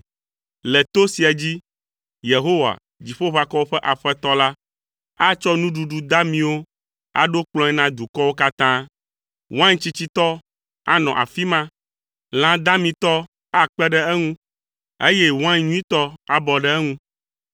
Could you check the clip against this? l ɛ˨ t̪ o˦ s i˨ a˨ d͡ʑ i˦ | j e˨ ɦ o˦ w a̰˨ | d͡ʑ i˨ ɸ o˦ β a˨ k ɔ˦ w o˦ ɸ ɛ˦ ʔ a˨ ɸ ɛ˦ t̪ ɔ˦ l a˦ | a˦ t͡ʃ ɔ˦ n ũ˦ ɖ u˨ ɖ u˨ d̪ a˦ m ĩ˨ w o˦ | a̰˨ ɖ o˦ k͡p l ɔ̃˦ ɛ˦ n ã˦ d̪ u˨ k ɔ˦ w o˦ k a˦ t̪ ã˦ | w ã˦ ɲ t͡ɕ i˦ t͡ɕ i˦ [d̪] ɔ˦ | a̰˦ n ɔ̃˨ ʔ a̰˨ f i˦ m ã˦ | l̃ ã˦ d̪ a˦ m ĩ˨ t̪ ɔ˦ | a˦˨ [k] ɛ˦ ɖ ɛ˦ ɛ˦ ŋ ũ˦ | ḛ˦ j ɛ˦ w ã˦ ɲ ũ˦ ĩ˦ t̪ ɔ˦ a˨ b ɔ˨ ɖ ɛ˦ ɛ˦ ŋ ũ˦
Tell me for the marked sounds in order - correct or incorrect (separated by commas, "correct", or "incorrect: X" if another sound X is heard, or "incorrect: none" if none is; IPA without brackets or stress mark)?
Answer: incorrect: t̪, incorrect: k͡p